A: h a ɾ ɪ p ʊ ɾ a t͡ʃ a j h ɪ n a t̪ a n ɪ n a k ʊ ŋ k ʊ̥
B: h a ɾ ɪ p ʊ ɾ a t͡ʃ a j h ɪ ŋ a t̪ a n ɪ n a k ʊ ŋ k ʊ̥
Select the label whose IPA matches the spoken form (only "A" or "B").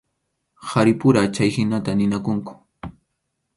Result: A